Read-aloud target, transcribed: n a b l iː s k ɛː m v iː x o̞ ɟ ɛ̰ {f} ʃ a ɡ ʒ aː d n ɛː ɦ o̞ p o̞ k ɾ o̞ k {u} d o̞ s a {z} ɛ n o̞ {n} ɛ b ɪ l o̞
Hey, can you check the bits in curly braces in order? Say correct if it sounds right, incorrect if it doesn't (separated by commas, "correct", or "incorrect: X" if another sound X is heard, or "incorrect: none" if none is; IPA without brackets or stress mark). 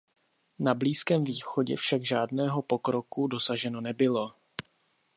correct, correct, incorrect: ʒ, correct